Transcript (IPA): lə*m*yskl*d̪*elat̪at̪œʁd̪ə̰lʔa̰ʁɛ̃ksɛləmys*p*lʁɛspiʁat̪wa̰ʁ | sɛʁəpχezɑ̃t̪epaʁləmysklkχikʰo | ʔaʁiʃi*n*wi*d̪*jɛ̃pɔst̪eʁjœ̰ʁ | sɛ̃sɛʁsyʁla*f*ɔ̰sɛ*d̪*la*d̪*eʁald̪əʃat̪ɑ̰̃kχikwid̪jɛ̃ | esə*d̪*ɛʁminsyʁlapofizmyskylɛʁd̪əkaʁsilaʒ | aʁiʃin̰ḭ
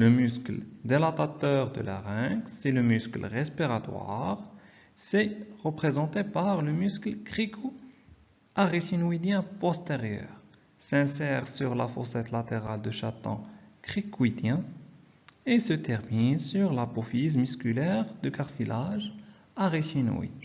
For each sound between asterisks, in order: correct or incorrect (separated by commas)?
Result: correct, correct, incorrect, correct, correct, correct, incorrect, incorrect, incorrect